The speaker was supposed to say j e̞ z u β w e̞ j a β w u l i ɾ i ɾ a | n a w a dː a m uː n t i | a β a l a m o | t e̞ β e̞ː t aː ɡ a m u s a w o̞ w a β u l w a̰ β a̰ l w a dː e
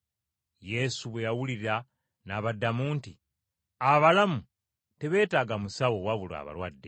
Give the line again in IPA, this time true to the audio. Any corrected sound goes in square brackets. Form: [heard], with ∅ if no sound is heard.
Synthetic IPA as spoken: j e̞ [s] u β w e̞ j a [∅] w u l i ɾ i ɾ a | n a [β] a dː a m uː n t i | a β a l a m [u] | t e̞ β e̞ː t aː ɡ a m u s a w o̞ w a β u l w a̰ β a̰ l w a dː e